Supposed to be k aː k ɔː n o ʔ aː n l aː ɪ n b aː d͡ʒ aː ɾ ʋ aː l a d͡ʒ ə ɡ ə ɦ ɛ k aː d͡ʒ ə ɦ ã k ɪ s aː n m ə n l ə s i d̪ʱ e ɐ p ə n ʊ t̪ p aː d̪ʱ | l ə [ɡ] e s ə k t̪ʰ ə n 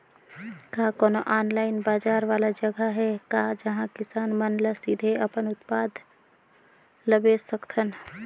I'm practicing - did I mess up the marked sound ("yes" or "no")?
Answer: yes